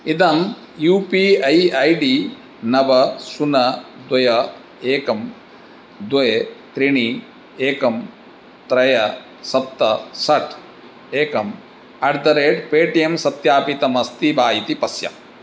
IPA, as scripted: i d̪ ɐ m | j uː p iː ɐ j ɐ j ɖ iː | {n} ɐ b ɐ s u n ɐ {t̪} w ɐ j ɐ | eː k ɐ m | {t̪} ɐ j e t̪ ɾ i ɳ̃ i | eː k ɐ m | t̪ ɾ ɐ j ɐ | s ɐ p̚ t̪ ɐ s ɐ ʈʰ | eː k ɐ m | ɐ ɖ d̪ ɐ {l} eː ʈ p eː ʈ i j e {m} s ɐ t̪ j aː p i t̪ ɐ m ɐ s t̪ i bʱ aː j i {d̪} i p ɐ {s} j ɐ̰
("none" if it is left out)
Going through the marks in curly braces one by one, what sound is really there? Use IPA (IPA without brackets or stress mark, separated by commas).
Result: n, d̪, d̪, ɾ, m, t̪, s